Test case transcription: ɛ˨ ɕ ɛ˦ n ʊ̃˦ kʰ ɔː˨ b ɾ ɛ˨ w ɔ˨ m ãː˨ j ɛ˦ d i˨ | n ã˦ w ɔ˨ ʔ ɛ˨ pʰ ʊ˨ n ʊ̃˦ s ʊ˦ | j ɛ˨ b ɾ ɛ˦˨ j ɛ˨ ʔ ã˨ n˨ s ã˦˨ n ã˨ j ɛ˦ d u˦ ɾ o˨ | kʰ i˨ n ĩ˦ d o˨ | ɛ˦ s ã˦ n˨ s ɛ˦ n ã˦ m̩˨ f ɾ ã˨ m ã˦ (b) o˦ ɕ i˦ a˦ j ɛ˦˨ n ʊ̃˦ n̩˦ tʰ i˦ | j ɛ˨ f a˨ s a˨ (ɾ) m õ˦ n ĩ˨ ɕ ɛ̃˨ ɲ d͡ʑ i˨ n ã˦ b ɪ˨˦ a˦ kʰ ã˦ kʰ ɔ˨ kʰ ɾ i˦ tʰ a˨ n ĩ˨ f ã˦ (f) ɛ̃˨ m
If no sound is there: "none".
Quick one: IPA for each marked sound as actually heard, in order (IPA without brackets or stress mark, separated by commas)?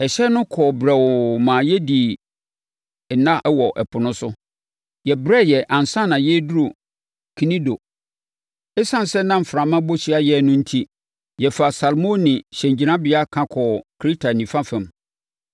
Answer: b, l, f